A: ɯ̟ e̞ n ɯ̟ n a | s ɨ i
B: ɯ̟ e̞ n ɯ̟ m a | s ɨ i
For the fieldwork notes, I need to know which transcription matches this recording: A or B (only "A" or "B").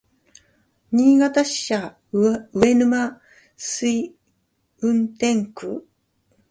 B